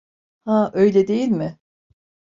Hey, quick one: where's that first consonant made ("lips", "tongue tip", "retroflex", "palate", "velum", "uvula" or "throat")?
throat